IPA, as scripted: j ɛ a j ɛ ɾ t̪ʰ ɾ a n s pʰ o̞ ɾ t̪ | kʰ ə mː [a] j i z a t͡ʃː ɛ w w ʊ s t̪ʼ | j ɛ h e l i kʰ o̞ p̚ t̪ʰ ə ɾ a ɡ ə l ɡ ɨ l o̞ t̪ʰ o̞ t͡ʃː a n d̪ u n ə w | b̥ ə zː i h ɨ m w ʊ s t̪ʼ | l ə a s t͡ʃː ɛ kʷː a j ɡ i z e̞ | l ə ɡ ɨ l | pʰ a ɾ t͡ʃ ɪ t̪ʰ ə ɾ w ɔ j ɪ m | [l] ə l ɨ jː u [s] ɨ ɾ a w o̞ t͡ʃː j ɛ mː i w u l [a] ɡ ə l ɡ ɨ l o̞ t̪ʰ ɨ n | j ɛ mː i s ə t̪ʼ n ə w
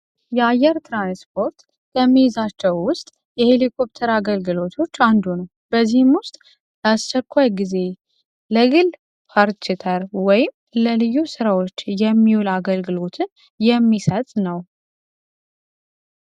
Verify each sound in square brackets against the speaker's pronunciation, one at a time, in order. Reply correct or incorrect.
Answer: incorrect, correct, correct, correct

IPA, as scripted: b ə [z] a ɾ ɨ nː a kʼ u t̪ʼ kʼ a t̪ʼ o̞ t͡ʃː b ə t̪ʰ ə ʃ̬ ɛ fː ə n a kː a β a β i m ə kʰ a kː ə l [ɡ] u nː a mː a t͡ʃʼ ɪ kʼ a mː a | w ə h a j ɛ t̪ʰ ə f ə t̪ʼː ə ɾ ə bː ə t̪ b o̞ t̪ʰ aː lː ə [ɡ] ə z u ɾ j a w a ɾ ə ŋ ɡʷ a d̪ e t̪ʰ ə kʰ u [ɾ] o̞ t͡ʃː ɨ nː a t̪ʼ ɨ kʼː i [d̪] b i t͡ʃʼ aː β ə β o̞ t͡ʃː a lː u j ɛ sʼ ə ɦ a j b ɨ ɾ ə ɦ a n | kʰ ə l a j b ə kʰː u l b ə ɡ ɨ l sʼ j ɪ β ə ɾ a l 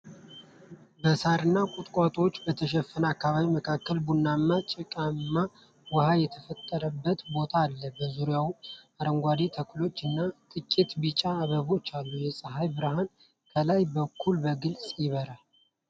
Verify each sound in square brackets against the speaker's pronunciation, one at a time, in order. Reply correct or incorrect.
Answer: incorrect, incorrect, incorrect, incorrect, incorrect

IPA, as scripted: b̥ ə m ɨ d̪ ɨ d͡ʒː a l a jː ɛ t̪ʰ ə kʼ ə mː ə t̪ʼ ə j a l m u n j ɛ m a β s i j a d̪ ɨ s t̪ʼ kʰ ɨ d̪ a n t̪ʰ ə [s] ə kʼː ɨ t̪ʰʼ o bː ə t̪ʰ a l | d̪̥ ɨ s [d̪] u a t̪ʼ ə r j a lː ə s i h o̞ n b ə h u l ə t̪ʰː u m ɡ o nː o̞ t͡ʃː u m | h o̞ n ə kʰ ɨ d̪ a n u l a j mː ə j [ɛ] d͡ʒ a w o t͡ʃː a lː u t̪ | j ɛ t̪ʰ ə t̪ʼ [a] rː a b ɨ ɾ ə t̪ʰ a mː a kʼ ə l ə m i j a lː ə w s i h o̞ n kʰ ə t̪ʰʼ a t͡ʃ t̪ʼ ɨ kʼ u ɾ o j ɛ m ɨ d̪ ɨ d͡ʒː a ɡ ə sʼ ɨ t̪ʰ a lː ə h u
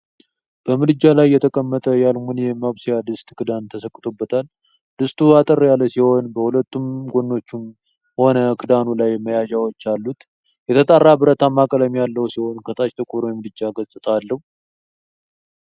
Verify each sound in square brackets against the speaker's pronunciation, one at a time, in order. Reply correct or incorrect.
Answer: correct, incorrect, incorrect, correct

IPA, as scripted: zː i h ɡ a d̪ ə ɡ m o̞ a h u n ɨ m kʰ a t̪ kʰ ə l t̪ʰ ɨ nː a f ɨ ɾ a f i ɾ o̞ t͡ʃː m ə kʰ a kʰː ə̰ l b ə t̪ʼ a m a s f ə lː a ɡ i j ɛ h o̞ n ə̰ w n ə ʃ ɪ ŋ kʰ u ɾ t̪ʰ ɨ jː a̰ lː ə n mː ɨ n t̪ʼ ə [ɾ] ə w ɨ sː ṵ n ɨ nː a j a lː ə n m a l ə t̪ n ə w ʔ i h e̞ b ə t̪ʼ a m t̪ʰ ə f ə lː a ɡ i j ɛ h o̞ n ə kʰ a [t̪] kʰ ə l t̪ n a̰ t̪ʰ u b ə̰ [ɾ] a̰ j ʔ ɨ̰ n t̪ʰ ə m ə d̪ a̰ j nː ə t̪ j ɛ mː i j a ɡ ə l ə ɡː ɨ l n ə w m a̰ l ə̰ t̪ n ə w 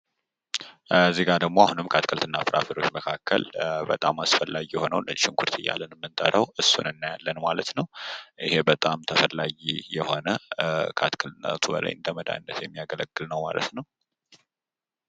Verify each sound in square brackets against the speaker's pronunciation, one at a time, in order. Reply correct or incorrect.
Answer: correct, correct, incorrect

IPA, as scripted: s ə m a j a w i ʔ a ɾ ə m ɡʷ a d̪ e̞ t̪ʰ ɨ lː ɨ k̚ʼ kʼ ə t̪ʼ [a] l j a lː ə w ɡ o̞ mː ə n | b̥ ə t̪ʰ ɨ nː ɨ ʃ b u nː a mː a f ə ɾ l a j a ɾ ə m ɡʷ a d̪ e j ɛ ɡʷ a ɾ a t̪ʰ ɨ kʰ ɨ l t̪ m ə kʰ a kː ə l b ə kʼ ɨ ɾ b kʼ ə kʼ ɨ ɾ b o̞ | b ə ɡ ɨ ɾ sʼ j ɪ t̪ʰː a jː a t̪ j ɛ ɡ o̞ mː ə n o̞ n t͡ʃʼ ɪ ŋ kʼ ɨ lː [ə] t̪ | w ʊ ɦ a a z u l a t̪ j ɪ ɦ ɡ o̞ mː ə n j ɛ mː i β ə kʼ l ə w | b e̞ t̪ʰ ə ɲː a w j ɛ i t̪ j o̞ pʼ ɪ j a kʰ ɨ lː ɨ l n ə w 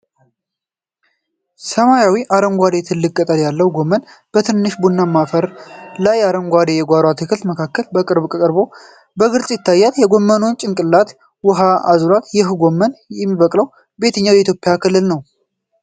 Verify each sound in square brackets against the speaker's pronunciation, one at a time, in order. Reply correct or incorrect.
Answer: incorrect, incorrect

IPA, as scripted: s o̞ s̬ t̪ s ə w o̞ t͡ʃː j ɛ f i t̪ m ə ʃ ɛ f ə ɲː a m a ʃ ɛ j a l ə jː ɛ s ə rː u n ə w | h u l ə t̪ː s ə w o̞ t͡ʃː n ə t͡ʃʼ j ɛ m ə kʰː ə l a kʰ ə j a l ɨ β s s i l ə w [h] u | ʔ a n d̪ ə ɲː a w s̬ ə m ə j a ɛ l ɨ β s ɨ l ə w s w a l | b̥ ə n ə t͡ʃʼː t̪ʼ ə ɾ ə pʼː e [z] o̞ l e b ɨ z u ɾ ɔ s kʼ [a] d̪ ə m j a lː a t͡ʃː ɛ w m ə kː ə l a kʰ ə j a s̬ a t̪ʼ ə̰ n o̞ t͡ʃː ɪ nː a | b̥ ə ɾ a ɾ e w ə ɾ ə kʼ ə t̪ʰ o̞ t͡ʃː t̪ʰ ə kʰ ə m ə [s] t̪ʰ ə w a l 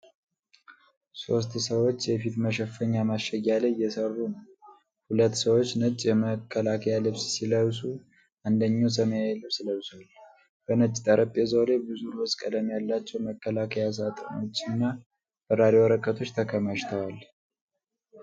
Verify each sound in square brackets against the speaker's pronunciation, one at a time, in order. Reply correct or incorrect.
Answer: incorrect, correct, incorrect, incorrect

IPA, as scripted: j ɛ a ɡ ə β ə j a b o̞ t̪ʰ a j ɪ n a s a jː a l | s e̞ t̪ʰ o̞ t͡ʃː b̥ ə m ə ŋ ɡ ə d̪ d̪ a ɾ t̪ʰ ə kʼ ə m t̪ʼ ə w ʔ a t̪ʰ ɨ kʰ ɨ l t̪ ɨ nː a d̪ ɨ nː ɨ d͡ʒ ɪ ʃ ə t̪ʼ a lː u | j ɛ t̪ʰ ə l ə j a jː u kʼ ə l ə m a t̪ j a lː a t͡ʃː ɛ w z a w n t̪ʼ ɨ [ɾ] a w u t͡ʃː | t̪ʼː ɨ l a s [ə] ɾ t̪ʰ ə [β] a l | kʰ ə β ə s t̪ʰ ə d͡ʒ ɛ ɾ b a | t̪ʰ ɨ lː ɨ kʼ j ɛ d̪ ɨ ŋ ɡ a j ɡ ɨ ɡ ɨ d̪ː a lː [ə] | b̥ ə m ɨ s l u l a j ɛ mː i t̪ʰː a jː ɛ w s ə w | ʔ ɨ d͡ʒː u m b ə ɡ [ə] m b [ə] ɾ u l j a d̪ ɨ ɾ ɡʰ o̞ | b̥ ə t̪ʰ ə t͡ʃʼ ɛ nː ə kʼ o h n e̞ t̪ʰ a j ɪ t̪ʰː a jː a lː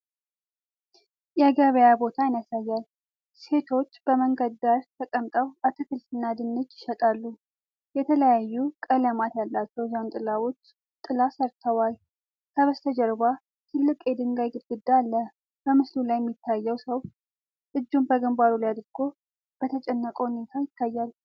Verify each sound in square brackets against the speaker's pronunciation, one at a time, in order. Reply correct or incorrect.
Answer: incorrect, correct, incorrect, correct, correct, incorrect

